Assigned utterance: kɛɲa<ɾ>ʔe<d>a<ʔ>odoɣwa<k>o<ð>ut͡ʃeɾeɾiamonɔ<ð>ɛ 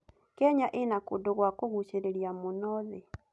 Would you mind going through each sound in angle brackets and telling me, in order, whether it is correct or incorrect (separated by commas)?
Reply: incorrect, incorrect, incorrect, correct, incorrect, correct